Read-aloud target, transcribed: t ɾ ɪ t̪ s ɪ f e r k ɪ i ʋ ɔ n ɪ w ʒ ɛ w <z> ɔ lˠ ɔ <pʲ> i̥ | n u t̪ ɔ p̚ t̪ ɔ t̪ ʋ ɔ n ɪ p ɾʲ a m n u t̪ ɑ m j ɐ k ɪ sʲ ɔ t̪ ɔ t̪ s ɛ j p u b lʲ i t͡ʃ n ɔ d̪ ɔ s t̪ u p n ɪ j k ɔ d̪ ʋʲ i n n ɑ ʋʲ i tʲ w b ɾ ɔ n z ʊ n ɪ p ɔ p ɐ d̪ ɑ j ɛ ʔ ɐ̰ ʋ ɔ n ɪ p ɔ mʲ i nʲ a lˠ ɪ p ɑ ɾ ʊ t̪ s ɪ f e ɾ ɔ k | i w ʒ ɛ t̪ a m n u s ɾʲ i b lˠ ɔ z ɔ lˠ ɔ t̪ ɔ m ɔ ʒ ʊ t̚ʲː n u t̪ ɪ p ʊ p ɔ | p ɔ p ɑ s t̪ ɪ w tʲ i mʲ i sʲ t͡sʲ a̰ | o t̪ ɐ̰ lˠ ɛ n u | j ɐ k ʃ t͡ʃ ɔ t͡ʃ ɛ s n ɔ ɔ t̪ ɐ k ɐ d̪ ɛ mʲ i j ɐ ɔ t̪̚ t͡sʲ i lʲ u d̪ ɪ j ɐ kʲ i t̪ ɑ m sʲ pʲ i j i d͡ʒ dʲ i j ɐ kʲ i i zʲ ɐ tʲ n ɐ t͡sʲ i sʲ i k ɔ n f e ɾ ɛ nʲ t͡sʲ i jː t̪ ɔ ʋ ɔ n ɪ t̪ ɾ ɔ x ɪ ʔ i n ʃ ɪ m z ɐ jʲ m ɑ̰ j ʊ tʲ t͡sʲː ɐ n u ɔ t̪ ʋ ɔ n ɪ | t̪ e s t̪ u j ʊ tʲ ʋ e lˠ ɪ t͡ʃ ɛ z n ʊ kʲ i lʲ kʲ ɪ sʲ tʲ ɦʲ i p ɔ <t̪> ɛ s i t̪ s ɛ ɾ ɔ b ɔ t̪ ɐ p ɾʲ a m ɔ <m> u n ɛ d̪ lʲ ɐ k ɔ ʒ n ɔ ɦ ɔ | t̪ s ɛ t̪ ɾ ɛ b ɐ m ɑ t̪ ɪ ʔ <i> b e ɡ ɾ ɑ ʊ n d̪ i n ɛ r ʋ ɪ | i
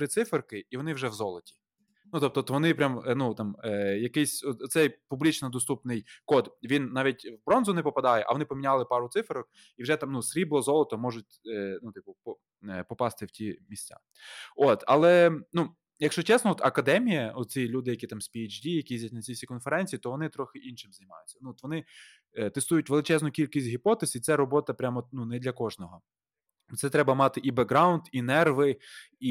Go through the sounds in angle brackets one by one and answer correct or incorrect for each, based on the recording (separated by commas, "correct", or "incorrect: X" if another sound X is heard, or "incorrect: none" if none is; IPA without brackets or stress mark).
correct, incorrect: tʲ, correct, incorrect: n, correct